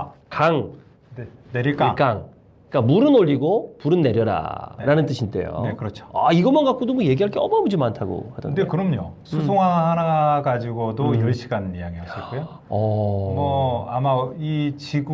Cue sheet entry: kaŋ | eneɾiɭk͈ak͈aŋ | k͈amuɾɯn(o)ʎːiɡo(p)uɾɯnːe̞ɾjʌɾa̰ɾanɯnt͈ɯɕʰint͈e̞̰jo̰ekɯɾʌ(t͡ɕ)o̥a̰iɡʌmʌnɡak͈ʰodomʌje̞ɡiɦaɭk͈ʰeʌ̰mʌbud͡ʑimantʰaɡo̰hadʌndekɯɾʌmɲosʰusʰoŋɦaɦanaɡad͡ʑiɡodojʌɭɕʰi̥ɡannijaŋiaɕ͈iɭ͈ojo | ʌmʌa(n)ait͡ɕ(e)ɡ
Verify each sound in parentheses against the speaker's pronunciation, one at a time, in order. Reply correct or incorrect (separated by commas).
correct, correct, incorrect, incorrect, incorrect